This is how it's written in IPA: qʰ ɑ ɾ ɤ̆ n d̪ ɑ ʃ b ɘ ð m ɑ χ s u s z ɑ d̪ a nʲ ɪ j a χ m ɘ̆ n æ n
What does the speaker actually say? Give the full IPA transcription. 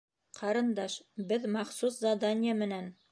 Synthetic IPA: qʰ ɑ ɾ ɤ̆ n d̪ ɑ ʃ b ɘ ð m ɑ χ s u s z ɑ d̪ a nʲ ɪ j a m ɘ̆ n æ n